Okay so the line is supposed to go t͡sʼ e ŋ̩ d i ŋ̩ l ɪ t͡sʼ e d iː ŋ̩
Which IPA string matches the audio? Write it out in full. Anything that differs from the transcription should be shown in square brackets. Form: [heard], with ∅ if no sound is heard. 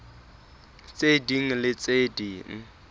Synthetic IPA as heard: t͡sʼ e [∅] d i ŋ̩ l ɪ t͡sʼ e d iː ŋ̩